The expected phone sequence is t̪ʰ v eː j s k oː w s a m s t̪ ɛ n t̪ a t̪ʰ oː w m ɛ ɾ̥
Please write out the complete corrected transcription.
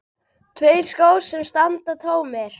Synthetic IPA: t̪ʰ v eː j s k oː w s ɛ m s t̪ a n t̪ a t̪ʰ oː w m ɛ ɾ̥